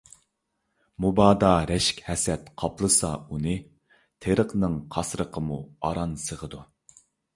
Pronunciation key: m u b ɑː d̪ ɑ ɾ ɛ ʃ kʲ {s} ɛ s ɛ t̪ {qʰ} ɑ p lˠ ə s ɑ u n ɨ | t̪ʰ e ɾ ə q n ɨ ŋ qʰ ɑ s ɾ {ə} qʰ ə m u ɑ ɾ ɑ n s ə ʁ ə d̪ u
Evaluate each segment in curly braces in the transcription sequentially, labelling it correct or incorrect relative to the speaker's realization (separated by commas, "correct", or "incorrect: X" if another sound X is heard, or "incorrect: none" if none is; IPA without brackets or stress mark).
incorrect: h, correct, correct